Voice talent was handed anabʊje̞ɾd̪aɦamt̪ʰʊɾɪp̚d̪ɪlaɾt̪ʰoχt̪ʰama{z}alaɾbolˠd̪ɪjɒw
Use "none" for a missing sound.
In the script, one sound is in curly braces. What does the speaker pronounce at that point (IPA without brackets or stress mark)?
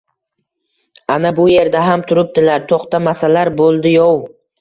s